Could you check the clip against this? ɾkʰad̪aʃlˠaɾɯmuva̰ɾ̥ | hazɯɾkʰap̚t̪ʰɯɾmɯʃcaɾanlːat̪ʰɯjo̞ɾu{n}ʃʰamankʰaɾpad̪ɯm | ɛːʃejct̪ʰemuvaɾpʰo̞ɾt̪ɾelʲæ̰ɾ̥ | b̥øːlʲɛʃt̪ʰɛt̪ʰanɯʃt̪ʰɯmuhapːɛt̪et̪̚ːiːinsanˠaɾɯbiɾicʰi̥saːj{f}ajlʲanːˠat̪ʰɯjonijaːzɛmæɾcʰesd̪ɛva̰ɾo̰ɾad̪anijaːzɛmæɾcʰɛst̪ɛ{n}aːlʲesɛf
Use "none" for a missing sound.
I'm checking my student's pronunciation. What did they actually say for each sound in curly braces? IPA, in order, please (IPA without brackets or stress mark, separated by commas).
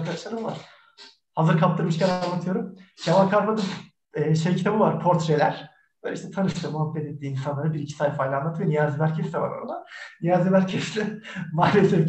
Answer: m, f, m